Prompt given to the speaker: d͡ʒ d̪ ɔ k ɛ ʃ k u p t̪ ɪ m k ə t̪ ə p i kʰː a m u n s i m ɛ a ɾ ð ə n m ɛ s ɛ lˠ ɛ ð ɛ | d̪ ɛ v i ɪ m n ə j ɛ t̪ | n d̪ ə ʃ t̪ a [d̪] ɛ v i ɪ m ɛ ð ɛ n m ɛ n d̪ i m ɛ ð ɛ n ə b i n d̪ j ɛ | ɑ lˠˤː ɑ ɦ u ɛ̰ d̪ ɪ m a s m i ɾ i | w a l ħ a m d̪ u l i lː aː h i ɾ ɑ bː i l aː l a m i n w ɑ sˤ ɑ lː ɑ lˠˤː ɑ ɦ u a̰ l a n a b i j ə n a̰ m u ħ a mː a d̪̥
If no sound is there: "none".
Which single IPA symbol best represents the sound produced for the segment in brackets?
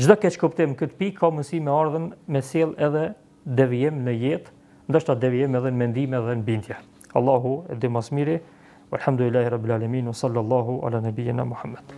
d̪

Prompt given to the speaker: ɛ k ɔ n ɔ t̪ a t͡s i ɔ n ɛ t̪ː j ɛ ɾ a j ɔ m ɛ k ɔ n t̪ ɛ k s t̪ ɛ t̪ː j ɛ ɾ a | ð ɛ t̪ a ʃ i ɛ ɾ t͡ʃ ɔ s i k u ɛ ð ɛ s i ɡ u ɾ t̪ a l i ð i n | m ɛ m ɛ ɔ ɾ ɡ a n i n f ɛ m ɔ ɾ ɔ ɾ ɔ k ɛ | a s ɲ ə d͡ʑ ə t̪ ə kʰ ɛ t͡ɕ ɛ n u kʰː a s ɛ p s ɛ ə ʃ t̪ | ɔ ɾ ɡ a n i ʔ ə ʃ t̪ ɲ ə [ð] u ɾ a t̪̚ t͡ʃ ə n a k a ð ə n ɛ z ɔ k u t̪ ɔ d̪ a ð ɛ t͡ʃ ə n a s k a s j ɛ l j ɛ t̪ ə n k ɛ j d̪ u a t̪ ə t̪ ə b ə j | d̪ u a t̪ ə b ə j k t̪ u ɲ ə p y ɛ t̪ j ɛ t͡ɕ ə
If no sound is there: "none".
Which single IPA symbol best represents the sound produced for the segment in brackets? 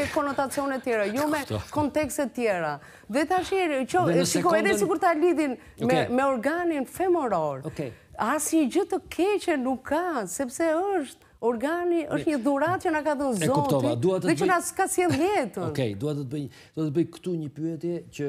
ð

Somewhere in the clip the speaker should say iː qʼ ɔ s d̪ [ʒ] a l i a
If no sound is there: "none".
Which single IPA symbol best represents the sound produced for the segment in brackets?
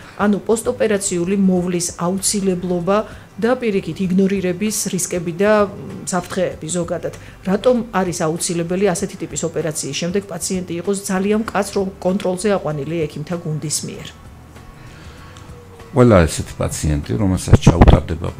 z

